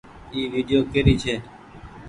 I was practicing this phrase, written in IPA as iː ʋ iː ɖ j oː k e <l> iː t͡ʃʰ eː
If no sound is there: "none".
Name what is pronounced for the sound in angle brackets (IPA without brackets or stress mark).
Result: ɾ